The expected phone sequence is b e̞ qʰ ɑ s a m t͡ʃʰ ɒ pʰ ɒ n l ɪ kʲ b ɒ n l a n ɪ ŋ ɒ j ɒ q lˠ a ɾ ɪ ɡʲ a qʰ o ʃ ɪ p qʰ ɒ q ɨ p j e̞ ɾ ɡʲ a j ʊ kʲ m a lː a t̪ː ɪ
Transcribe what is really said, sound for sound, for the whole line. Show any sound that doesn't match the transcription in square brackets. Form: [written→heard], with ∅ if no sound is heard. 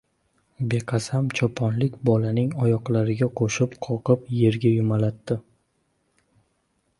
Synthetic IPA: b e̞ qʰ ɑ s a m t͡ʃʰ ɒ pʰ ɒ n l ɪ kʲ b ɒ [n→∅] l a n ɪ ŋ ɒ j ɒ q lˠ a ɾ ɪ ɡʲ a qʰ o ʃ ɪ p qʰ ɒ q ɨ p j e̞ ɾ ɡʲ a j ʊ [kʲ→∅] m a [lː→l] a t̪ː ɪ